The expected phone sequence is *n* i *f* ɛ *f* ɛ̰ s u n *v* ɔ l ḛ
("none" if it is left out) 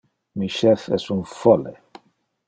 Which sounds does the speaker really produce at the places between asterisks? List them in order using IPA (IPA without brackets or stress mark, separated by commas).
m, ʃ, f, f